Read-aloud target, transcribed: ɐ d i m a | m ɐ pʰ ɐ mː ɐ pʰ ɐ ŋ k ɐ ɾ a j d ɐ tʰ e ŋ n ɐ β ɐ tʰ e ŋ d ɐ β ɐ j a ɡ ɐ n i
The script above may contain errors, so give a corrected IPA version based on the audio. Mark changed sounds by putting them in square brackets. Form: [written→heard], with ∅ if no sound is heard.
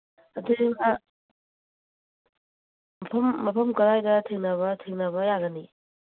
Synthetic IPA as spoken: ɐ d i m a | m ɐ pʰ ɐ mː ɐ pʰ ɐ [ŋ→m] k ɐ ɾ a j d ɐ tʰ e ŋ n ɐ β ɐ tʰ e ŋ [d→n] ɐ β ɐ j a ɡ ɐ n i